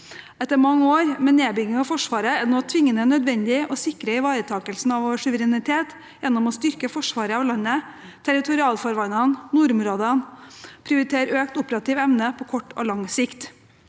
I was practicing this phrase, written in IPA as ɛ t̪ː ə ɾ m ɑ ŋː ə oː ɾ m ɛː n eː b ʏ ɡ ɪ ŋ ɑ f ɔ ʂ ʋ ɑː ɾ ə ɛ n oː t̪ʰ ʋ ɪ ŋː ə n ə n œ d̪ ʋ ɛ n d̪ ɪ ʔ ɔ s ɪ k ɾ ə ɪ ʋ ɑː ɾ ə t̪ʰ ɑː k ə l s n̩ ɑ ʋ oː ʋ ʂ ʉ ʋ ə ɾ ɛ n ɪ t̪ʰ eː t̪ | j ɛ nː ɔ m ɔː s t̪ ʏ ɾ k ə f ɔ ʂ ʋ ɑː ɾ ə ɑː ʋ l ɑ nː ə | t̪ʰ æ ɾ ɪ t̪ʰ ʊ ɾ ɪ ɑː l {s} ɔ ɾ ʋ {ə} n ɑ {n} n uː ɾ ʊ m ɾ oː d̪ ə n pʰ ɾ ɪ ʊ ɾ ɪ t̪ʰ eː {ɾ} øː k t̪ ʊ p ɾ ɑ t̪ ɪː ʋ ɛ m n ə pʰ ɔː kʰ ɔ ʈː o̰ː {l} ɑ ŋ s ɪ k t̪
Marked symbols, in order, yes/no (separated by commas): no, no, yes, yes, yes